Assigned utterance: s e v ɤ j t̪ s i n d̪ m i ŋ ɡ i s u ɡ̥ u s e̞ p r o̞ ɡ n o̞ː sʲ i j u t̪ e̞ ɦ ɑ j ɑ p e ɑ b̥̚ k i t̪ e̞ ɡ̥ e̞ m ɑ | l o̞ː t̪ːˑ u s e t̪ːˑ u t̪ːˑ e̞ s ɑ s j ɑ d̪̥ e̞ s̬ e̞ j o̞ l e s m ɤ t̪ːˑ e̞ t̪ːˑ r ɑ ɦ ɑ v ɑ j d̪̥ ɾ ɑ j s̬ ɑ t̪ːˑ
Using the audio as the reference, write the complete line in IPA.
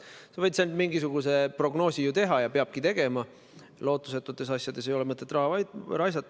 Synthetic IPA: s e v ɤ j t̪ s e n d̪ m i ŋ ɡ i s u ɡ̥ u s e̞ p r o̞ ɡ n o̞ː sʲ i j u t̪ e̞ ɦ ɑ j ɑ p e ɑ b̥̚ k i t̪ e̞ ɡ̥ e̞ m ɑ | l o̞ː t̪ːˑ u s e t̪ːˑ u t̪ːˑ e̞ s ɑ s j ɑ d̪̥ e̞ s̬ e̞ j o̞ l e m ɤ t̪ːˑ e̞ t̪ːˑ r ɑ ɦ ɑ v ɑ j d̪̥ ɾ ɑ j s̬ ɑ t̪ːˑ